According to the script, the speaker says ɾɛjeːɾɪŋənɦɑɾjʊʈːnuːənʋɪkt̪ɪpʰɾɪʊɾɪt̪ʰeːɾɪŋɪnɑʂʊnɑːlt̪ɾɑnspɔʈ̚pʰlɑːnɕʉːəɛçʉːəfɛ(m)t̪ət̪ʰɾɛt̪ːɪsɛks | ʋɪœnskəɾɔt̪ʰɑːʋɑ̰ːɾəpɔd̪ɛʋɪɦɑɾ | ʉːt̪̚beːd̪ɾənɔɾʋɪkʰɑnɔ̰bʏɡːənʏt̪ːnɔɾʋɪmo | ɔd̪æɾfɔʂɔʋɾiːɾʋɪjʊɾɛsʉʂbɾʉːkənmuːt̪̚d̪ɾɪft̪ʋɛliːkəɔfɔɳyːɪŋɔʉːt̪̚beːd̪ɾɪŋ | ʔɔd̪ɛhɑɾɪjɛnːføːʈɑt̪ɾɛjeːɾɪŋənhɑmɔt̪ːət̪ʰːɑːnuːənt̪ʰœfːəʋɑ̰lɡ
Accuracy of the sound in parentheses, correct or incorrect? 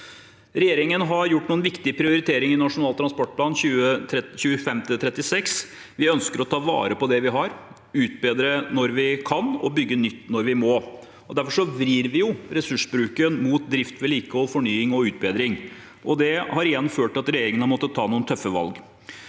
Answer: correct